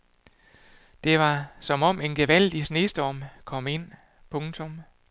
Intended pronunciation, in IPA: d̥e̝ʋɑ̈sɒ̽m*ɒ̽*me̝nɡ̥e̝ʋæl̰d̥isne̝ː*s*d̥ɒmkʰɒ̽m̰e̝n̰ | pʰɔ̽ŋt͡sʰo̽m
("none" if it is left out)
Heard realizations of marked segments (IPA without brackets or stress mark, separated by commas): ɒ̽, s